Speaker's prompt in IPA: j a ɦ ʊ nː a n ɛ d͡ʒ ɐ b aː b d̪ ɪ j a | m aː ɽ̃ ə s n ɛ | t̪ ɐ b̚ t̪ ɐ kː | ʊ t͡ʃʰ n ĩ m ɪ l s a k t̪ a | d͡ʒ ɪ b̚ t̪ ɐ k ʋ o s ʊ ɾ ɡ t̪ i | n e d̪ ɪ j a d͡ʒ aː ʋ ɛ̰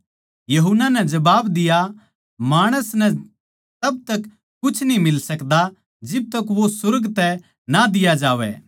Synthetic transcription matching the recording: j ɐ ɦ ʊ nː a n ɛ d͡ʒ ɐ b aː b d̪ ɪ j a | m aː ɽ̃ ə s n ɛ | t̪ ɐ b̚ t̪ ɐ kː | ʊ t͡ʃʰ n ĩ m ɪ l s ɐ k d̪ a | d͡ʒ ɪ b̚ t̪ ɐ k ʋ o s ʊ ɾ ɡ t̪ ɛ | n a d̪ ɪ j a d͡ʒ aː ʋ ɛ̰

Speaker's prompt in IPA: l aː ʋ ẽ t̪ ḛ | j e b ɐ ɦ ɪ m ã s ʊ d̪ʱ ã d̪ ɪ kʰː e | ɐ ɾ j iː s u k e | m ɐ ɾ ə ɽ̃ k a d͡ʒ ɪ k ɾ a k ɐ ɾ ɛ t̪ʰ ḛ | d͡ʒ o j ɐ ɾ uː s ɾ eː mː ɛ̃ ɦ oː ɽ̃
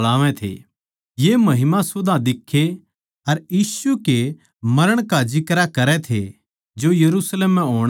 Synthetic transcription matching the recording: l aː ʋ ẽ t̪ʰ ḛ | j e m ɐ ɦ ɪ m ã s ʊ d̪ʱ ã d̪ ɪ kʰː e | ɐ ɾ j iː s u k e | m ɐ ɾ ə ɽ̃ k a d͡ʒ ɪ k ɾ a k ɐ ɾ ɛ t̪ʰ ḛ | d͡ʒ o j ɐ ɾ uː s l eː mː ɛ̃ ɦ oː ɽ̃

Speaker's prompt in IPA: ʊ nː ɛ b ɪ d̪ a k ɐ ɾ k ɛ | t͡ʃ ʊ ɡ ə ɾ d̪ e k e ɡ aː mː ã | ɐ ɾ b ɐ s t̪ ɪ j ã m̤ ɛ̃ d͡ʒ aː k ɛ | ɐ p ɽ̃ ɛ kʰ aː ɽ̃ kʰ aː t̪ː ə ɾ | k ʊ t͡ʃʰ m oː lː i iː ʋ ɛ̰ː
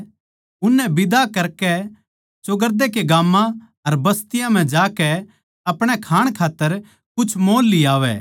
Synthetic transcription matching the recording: ʊ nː ɛ b ɪ d̪ a k ɐ ɾ k ɛ | t͡ʃ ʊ ɡ ə ɾ d̪ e k e ɡ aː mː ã | ɐ ɾ b ɐ s t̪ ɪ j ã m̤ ɛ̃ d͡ʒ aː k ɛ | ɐ p ɽ̃ ɛ kʰ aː ɽ̃ kʰ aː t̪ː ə ɾ | k ʊ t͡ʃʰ m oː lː i aː ʋ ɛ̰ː

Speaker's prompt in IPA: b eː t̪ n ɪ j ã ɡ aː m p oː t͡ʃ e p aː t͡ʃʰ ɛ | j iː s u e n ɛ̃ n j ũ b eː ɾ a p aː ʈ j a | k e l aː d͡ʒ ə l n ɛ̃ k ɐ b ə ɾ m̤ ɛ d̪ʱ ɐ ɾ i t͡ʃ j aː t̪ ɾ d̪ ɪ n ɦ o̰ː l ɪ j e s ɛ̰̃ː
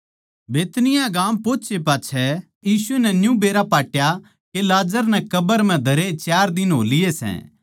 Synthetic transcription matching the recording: b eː t̪ n ɪ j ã ɡ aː m p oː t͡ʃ e p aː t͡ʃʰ ɛ | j iː s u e n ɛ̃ n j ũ b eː ɾ a p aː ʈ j a | k e l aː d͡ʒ ə ɾ n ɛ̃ k ɐ b ə ɾ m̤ ɛ̃ d̪ʱ ɐ ɾ e t͡ʃ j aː ɾ d̪ ɪ n ɦ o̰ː l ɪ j e s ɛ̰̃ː

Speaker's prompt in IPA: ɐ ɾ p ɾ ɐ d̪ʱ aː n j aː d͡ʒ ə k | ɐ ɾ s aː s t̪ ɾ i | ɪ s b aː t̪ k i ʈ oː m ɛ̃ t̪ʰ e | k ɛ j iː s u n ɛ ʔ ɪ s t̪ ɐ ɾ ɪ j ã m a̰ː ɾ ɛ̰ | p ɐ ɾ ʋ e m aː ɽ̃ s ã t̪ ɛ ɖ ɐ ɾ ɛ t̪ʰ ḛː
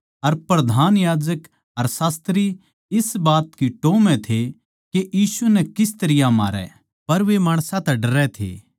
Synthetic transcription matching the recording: ɐ ɾ p ɾ ɐ d̪ʱ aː n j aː d͡ʒ ə k | ɐ ɾ s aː s t̪ ɾ i | ɪ s b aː t̪ k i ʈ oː m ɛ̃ t̪ʰ e | k e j iː s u n ɛ k ɪ s t̪ ɐ ɾ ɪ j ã m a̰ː ɾ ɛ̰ | p ɐ ɾ ʋ e m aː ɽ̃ s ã t̪ ɛ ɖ ɐ ɾ ɛ t̪ʰ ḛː

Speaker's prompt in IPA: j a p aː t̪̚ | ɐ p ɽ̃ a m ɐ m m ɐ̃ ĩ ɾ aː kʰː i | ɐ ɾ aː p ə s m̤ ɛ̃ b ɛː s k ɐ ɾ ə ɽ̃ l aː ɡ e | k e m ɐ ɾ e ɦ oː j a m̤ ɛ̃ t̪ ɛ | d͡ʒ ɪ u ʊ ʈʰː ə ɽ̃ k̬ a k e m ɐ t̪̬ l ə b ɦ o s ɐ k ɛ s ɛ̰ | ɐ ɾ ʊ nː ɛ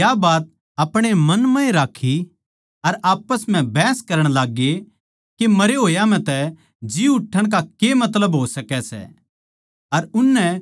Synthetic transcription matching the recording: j a b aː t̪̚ | ɐ p ɽ̃ e m ɐ n m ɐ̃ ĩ ɾ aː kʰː i | ɐ ɾ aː p ə s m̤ ɛ̃ b ɛː s k ɐ ɾ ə ɽ̃ l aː ɡ e | k e m ɐ ɾ e ɦ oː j a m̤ ɛ̃ t̪ ɛ | d͡ʒ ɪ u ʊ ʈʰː ə ɽ̃ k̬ a k e m ɐ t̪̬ l ə b ɦ o s ɐ k ɛ s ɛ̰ | ɐ ɾ ʊ nː ɛ

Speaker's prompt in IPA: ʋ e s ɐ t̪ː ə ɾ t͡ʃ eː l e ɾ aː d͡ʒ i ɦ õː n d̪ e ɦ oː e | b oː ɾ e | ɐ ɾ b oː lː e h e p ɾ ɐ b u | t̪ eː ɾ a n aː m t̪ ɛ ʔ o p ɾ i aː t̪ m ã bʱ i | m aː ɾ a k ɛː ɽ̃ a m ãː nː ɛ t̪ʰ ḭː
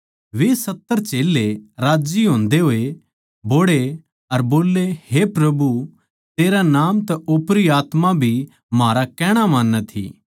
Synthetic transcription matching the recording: ʋ e s ɐ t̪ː ə ɾ t͡ʃ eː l e ɾ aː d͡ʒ i ɦ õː n d̪ e ɦ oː e | b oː ɽ e | ɐ ɾ b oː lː e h e p ɾ ɐ b u | t̪ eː ɾ a n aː m t̪ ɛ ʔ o p ɾ i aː t̪ m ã bʱ i | m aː ɾ a k ɛː ɽ̃ a m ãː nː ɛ t̪ʰ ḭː

